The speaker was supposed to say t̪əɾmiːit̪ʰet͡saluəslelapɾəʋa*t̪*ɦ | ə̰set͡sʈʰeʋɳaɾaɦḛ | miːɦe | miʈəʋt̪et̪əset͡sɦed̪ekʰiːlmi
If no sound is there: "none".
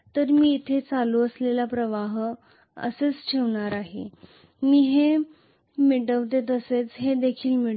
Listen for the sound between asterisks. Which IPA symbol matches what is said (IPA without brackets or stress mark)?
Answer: none